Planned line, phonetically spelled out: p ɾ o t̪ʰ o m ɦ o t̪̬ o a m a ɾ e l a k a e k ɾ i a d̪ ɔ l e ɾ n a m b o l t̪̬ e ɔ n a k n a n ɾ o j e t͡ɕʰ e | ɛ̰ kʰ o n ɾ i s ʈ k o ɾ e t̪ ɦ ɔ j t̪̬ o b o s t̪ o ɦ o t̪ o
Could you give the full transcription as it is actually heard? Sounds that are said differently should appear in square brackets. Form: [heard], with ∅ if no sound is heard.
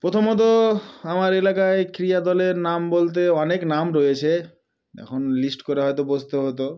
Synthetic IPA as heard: p ɾ o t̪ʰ o m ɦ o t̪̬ o a m a ɾ e l a k a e k ɾ i a d̪ ɔ l e ɾ n a m b o l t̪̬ e ɔ n [e] k n a [m] ɾ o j e t͡ɕʰ e | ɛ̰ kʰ o n [l] i s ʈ k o ɾ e [∅] ɦ ɔ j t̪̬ o b o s t̪ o ɦ o t̪ o